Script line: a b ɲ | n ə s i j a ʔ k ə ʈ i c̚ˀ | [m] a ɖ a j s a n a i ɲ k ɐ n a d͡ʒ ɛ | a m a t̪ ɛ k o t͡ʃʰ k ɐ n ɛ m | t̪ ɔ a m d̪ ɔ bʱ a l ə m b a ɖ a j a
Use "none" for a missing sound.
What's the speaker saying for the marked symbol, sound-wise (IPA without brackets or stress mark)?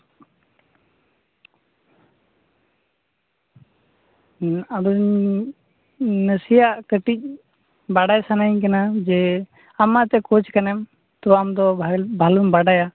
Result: b